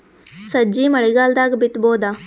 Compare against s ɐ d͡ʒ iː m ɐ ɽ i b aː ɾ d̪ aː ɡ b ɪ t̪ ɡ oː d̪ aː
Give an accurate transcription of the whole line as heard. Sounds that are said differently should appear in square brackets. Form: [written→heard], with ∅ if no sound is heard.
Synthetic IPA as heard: s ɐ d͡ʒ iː m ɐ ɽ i [b→ɡ] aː [ɾ→l] d̪ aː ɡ b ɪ t̪ [ɡ→b] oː d̪ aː